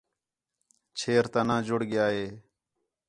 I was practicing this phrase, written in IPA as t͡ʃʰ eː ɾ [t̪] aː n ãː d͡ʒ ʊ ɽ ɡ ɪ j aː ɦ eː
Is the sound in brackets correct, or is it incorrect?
correct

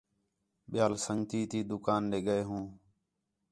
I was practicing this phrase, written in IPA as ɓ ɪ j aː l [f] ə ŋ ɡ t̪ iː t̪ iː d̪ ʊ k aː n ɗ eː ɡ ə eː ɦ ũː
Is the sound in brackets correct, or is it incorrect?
incorrect: s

